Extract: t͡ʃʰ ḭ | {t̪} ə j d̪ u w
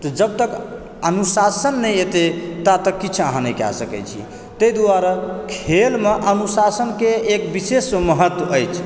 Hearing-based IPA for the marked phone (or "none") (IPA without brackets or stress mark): t̪